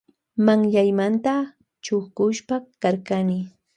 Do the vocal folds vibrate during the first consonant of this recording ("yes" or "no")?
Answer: yes